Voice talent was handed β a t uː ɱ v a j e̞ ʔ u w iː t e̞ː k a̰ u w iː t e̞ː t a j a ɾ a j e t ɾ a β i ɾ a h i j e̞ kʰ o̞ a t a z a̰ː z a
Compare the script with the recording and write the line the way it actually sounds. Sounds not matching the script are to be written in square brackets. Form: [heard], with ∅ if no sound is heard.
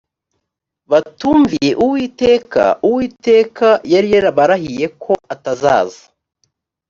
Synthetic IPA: β a t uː ɱ v [i] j e̞ ʔ u w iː t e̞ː k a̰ u w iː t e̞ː [k] a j a ɾ [i] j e [∅] ɾ a β [a] ɾ a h i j e̞ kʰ o̞ a t a z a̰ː z a